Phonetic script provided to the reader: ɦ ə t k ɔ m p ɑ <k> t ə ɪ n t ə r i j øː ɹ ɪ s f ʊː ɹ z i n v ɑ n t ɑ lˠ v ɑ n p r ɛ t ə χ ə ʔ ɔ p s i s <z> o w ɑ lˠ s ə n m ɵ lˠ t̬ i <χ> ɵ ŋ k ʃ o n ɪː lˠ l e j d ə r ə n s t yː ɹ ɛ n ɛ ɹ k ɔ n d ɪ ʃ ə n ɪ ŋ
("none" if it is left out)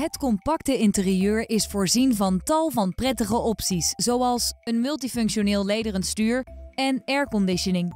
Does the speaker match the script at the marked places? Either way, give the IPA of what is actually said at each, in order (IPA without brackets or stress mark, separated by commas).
k, z, f